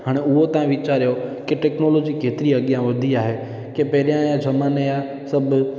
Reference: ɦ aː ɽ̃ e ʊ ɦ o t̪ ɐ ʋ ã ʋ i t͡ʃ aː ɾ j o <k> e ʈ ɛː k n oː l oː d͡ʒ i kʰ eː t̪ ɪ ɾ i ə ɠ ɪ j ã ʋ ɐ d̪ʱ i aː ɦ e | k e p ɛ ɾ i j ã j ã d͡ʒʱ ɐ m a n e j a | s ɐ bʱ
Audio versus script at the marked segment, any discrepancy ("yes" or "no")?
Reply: no